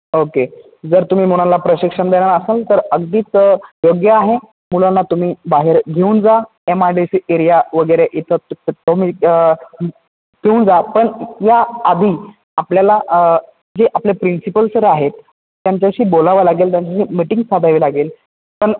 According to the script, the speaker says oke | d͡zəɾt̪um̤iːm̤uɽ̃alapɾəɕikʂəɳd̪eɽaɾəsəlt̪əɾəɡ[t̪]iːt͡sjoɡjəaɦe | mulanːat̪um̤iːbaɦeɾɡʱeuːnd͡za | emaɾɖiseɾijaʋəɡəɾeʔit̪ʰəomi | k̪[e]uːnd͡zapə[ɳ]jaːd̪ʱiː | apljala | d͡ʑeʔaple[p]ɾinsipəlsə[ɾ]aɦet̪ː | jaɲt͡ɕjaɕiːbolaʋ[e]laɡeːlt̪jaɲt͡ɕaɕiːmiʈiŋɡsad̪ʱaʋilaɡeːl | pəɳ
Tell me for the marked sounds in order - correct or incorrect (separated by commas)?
incorrect, correct, correct, correct, correct, incorrect